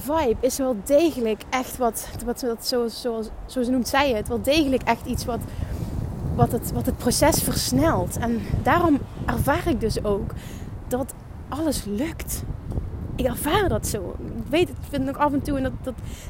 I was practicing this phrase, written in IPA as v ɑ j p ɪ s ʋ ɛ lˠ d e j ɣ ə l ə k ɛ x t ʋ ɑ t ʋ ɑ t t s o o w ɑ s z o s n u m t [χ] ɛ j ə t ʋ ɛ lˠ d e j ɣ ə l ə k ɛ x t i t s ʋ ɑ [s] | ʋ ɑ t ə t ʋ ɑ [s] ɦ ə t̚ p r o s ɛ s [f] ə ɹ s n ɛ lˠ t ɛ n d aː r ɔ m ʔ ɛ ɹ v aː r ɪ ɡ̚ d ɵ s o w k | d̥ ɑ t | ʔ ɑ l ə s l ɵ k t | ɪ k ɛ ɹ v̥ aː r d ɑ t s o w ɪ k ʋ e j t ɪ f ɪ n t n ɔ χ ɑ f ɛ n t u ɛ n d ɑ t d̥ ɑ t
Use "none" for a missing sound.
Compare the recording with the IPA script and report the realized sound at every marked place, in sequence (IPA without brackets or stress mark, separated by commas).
s, t, t, f